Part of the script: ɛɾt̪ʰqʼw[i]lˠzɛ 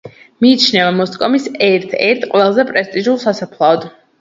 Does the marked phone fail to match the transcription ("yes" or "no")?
yes